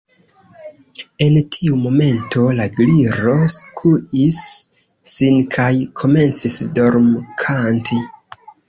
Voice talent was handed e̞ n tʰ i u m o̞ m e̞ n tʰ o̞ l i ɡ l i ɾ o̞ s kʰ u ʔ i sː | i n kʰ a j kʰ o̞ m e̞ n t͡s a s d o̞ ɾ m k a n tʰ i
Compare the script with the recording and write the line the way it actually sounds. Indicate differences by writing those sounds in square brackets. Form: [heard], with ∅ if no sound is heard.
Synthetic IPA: e̞ n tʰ i u m o̞ m e̞ n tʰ o̞ l [a] ɡ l i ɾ o̞ s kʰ u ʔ i sː | i n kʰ a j kʰ o̞ m e̞ n t͡s [i] s d o̞ ɾ m [kʰ] a n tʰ i